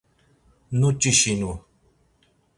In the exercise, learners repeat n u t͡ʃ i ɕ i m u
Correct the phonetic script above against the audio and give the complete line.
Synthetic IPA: n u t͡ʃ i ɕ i n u